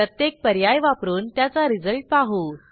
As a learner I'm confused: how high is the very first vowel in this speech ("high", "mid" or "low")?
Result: mid